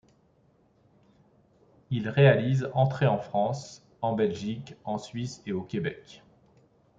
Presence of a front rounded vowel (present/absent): absent